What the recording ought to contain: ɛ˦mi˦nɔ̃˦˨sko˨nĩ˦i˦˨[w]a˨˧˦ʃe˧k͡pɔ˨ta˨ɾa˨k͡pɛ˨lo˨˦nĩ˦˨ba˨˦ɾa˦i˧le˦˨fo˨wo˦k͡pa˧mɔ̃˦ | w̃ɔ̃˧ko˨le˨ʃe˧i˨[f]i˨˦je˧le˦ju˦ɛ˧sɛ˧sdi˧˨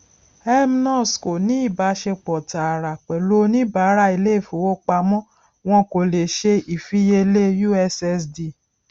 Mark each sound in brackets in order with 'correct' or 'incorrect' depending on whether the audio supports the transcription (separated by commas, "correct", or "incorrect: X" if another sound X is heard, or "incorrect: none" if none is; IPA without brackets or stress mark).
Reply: incorrect: b, correct